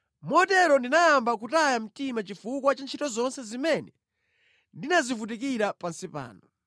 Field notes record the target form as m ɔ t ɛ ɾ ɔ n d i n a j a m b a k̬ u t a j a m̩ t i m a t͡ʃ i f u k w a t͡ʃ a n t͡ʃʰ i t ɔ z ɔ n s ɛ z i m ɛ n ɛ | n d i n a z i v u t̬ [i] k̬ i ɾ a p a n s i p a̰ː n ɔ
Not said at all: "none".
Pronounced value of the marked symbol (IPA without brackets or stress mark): i